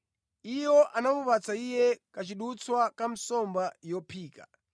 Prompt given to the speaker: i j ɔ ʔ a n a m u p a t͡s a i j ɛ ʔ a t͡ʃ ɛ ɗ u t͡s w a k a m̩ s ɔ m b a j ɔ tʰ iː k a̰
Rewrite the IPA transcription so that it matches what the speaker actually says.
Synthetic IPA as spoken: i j ɔ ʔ a n a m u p a t͡s a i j ɛ k a t͡ʃ i ɗ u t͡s w a k a m̩ s ɔ m b a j ɔ pʰ iː k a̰